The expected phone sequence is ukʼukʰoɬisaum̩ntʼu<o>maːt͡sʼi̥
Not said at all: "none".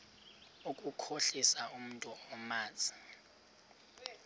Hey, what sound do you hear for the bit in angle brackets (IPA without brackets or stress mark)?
ɔ